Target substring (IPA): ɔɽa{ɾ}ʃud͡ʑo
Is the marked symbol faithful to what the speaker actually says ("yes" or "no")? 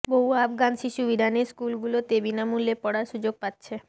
yes